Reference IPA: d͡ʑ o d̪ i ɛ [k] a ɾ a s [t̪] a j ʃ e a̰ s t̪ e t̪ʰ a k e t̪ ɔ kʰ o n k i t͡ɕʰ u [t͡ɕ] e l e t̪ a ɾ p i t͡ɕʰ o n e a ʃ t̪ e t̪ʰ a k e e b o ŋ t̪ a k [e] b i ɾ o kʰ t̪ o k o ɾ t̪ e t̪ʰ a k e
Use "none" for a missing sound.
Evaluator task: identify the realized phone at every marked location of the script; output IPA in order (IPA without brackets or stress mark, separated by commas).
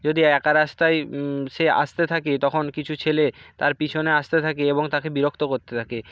k, t̪, t͡ɕʰ, e